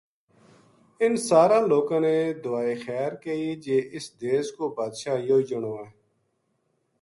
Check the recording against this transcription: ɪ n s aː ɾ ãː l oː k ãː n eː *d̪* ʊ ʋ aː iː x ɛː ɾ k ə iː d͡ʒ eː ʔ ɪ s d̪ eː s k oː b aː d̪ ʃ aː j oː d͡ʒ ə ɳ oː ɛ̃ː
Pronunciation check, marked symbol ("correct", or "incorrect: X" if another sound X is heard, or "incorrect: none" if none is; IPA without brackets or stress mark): correct